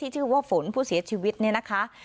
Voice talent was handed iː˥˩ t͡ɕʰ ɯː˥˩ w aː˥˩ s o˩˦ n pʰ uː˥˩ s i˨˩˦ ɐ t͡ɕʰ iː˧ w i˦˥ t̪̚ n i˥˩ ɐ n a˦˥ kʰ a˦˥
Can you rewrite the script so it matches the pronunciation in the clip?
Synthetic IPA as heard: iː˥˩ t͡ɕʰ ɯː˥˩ w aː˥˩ f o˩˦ n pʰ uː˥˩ s i˨˩˦ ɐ t͡ɕʰ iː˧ w i˦˥ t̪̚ n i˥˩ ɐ n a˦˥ kʰ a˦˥